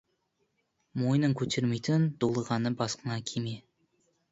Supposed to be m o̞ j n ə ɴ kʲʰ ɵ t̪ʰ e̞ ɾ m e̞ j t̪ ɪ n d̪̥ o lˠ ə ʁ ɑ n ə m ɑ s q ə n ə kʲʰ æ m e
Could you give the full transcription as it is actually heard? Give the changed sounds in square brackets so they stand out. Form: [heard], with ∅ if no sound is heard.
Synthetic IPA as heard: m o̞ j n ə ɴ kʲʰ ɵ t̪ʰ e̞ ɾ m e̞ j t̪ ɪ n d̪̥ o lˠ ə ʁ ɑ n ə [b] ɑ s q ə n [ɑ] kʲʰ [e] m e